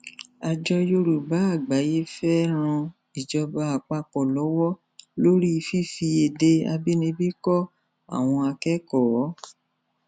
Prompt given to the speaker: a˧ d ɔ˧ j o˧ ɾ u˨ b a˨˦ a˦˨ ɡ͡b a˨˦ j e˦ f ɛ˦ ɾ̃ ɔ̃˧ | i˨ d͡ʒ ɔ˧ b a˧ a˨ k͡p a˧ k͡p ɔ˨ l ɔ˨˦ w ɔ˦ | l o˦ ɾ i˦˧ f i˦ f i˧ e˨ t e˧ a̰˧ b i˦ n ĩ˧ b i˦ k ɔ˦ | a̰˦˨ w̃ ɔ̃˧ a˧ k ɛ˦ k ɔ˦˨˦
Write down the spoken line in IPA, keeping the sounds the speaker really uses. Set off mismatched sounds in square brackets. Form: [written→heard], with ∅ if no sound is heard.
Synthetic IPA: a˧ [d→d͡ʒ] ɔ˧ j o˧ ɾ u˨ b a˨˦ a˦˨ ɡ͡b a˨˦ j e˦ f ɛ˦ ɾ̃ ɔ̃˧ | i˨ d͡ʒ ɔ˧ b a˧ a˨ k͡p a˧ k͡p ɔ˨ l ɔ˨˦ w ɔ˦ | l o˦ ɾ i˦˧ f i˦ f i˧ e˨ [t→d] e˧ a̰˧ b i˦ n ĩ˧ b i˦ k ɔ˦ | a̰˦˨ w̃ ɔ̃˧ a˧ k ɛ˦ k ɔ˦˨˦